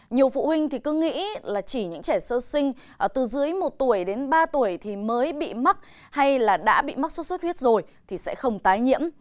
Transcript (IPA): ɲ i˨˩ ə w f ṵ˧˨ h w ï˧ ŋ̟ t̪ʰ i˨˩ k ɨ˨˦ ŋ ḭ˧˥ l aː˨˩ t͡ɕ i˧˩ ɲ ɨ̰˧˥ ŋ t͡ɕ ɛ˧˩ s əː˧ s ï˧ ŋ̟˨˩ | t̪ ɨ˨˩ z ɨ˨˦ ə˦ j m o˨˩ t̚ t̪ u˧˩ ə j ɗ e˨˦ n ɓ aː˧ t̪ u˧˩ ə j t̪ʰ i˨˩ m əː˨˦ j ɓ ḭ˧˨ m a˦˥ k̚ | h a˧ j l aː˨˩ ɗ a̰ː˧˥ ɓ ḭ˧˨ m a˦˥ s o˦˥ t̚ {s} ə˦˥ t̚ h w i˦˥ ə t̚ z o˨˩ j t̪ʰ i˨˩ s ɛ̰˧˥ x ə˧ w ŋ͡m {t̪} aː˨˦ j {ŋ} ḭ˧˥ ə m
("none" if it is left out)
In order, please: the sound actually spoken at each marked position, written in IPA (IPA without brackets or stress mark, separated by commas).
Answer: s, t̪, ɲ